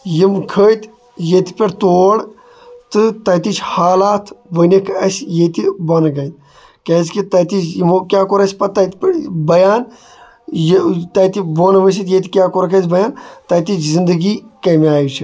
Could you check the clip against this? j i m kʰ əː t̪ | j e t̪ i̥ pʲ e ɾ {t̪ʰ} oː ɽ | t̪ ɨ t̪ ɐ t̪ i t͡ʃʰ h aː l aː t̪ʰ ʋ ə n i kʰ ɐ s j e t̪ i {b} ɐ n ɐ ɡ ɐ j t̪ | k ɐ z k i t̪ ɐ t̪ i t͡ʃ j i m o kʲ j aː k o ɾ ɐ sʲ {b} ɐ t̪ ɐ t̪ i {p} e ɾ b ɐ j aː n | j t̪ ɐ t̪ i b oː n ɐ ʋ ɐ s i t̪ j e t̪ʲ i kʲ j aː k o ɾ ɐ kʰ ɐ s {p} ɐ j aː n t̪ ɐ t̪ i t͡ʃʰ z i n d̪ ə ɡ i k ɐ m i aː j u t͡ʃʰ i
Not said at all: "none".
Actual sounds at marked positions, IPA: t̪, b, p, p, b

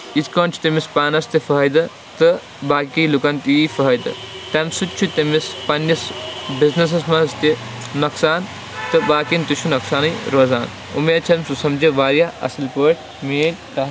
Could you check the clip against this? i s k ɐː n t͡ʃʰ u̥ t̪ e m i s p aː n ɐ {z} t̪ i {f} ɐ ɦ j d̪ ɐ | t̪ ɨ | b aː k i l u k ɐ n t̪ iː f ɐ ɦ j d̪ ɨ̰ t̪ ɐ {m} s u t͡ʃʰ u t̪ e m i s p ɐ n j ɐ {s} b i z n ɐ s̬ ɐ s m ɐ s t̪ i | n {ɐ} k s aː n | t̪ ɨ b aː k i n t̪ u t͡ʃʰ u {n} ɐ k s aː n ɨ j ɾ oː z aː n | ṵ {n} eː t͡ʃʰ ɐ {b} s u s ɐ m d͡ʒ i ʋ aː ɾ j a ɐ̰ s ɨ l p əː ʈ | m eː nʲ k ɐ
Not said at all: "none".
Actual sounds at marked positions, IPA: s, f, m, s, ɐ, n, m, m

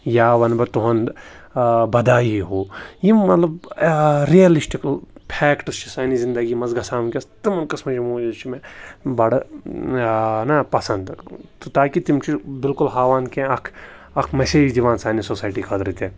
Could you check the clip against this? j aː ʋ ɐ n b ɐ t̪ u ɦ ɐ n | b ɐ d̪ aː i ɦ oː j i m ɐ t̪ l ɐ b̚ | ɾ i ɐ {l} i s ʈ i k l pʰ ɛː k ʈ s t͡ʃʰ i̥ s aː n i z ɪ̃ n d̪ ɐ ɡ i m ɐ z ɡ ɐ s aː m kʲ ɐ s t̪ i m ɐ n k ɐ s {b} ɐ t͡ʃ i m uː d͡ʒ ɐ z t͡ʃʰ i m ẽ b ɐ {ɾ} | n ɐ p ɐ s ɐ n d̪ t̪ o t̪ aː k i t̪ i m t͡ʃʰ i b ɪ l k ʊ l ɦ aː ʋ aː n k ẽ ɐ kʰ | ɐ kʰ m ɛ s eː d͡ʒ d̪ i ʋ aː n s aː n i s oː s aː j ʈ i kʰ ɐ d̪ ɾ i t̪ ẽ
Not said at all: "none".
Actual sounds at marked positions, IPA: l, m, ɽ

